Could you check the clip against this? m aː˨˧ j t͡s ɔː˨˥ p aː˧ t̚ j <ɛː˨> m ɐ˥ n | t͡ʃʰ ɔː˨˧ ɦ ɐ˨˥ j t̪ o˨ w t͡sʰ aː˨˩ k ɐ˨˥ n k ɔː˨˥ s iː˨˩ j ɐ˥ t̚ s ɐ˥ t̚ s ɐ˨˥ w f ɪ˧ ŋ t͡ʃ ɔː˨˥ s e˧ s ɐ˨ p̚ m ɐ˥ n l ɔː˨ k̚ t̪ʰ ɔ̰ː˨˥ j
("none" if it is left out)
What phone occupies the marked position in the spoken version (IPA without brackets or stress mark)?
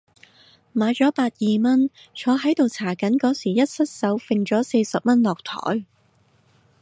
iː˨